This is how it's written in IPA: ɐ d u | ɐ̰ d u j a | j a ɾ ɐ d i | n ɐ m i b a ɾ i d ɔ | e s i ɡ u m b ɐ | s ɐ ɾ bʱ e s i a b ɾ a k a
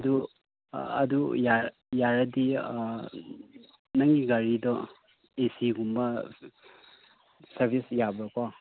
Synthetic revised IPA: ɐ d u | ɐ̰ d u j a | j a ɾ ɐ d i | n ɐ ŋ i ɡ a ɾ i d ɔ | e s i ɡ u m b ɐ | s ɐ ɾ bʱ i s j a b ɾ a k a